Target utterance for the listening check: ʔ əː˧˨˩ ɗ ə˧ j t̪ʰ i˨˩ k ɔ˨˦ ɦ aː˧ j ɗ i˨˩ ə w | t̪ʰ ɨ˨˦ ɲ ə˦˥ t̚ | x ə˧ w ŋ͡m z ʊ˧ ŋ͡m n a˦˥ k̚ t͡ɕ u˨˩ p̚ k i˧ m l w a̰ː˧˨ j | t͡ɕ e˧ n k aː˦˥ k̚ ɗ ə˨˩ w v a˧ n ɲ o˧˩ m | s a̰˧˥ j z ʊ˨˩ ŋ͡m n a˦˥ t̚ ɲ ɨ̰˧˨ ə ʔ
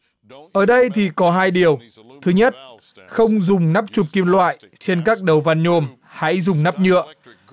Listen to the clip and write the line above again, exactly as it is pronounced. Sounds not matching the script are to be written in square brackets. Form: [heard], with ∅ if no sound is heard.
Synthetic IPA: ʔ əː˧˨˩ ɗ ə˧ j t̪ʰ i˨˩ k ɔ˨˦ ɦ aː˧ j ɗ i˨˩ ə w | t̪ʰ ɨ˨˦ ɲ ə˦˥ t̚ | x ə˧ w ŋ͡m z [ʊ˨˩] ŋ͡m n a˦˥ [p̚] t͡ɕ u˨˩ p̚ k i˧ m l w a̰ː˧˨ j | t͡ɕ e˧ n k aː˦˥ k̚ ɗ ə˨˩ w v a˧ n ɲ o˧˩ m | [h] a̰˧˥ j z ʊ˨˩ ŋ͡m n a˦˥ [p̚] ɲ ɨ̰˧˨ ə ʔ